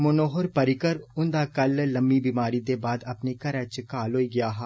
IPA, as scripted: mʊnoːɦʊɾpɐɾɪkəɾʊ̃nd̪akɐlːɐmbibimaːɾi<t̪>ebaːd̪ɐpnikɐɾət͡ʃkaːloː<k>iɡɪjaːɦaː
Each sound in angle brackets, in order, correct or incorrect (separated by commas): incorrect, incorrect